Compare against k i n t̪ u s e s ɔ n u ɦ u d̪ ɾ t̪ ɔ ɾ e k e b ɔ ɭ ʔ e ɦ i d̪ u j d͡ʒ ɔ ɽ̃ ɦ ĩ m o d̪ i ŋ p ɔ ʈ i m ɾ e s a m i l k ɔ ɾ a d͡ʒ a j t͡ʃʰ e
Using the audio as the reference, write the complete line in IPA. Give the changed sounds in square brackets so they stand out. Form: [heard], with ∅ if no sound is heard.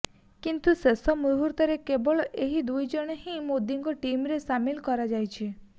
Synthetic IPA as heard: k i n t̪ u s e s ɔ [m] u ɦ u [∅] ɾ t̪ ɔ ɾ e k e b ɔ ɭ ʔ e ɦ i d̪ u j d͡ʒ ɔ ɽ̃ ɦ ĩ m o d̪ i ŋ [k] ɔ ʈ i m ɾ e s a m i l k ɔ ɾ a d͡ʒ a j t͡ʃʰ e